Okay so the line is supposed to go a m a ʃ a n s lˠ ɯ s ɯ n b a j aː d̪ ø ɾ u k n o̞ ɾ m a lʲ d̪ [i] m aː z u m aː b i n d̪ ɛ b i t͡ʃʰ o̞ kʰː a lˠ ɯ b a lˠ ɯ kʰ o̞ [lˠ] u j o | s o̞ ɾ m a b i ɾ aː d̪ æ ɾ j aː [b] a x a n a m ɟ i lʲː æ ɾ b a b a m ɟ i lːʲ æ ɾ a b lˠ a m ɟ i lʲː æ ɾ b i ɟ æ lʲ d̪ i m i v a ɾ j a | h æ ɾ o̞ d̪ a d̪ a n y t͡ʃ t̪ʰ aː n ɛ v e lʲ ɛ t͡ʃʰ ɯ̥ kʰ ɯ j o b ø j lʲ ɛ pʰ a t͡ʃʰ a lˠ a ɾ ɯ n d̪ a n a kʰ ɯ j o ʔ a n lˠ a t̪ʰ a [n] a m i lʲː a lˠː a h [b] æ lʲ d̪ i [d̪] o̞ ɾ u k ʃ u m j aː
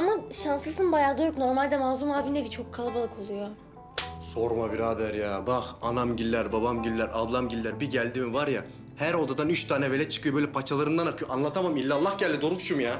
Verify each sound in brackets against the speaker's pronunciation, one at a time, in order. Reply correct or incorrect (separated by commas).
incorrect, correct, correct, incorrect, incorrect, correct